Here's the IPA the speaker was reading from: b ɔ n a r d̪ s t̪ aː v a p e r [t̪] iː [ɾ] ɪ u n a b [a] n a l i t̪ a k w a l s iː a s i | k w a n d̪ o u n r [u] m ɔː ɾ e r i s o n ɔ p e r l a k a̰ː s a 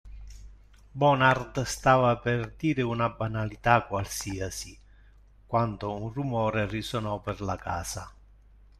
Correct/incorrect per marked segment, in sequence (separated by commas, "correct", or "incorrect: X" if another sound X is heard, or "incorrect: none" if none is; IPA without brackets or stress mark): incorrect: d̪, correct, correct, correct